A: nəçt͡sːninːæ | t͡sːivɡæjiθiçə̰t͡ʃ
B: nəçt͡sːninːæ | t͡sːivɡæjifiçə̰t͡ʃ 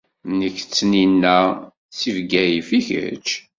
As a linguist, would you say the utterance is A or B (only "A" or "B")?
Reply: B